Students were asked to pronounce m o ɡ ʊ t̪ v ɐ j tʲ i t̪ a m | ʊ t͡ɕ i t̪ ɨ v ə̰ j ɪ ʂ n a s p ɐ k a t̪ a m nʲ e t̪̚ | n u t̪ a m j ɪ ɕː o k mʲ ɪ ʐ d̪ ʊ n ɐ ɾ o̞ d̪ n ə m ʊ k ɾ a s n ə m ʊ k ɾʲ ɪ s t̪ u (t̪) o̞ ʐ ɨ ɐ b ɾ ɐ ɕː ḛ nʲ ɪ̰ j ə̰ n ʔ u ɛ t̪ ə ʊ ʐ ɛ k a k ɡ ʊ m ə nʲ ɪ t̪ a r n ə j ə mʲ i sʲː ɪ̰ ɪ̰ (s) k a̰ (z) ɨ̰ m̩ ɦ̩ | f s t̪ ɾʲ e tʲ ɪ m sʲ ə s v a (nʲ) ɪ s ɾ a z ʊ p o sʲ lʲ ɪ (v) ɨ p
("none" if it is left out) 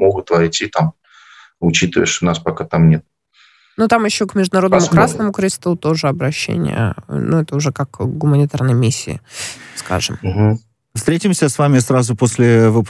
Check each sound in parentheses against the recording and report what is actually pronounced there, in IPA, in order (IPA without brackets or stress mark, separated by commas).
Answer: t̪, s, ʐ, mʲ, v